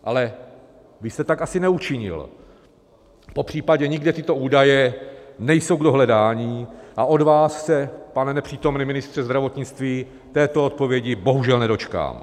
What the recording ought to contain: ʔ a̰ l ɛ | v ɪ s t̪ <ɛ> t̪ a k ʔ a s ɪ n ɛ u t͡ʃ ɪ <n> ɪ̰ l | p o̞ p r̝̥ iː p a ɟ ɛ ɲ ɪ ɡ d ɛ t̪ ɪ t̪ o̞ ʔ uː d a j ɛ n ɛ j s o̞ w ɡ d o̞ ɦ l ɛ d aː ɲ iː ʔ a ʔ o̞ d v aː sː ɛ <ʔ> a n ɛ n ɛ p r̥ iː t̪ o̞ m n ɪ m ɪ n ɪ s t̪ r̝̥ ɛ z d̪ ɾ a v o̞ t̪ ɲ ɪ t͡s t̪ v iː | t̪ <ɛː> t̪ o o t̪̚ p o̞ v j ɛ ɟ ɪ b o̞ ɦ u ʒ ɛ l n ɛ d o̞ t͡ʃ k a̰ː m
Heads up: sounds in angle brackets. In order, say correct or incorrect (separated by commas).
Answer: correct, incorrect, incorrect, correct